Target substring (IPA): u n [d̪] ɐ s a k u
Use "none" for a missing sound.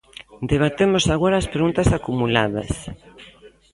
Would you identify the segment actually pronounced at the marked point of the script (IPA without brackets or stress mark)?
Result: t̪